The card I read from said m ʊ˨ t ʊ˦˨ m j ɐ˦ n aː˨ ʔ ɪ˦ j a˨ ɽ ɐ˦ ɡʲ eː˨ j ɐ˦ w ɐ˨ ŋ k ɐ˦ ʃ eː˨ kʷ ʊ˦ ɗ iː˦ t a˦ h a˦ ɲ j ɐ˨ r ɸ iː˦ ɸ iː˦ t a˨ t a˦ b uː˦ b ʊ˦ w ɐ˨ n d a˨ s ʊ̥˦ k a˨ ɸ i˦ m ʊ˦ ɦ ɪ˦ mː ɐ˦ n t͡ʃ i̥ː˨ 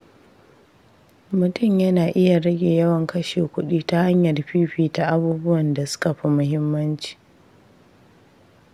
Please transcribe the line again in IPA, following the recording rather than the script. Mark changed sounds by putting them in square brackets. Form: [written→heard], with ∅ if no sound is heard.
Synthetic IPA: m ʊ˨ t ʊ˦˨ m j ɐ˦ n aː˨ ʔ ɪ˦ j a˨ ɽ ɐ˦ ɡʲ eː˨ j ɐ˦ w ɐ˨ ŋ k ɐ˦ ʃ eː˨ kʷ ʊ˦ ɗ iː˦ t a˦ h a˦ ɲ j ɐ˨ r ɸ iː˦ ɸ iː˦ t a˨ [t→ʔ] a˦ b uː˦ b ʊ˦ w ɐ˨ n d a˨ s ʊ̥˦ k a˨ ɸ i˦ m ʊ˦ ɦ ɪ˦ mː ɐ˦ n t͡ʃ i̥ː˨